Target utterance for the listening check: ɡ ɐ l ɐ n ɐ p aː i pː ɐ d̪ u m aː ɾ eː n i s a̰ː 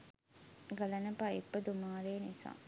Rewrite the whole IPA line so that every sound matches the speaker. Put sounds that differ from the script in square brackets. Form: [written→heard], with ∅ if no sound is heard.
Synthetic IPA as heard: ɡ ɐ l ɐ n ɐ p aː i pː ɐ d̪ u m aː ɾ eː n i s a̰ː